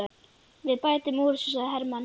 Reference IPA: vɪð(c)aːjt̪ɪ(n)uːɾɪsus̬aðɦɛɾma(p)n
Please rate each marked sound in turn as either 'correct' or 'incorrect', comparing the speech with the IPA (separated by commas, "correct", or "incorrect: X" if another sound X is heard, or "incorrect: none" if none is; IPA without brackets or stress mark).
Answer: incorrect: p, incorrect: m, incorrect: none